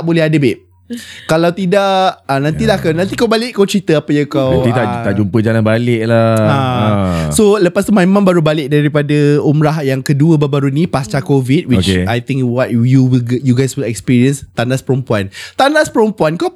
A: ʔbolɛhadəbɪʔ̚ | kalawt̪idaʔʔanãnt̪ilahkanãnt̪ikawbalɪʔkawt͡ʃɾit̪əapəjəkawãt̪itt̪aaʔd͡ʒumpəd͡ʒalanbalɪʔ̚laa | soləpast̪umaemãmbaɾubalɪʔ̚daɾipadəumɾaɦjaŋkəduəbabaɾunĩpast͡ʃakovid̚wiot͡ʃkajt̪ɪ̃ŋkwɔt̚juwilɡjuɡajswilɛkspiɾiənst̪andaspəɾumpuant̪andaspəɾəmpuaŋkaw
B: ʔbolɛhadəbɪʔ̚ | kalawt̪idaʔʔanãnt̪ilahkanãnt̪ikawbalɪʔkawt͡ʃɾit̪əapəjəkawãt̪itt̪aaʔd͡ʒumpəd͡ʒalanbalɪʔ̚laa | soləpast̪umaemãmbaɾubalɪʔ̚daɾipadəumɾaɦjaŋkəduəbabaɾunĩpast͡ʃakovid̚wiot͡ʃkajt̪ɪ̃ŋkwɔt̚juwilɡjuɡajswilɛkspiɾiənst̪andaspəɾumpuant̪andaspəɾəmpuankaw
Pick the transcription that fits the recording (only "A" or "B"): B